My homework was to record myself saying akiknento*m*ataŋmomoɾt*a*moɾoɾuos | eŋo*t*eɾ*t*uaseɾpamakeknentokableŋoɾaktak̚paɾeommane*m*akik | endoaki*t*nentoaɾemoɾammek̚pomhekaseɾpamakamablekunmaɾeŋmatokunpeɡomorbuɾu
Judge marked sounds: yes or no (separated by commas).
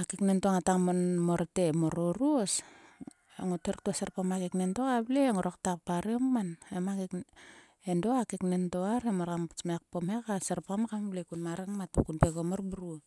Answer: no, no, yes, yes, yes, no